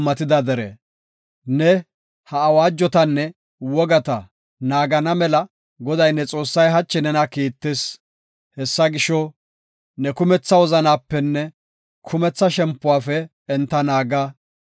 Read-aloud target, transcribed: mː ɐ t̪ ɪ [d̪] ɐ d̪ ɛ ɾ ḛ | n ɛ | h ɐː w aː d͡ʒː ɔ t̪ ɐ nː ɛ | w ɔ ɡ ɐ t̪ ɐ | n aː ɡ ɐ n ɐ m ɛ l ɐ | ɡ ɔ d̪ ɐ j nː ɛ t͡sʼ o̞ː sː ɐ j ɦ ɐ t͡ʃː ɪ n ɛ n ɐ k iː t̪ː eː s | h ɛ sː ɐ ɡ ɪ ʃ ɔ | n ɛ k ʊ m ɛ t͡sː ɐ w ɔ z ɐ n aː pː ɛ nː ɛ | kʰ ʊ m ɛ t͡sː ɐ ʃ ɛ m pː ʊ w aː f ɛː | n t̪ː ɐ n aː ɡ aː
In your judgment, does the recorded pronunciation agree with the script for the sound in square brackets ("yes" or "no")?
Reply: yes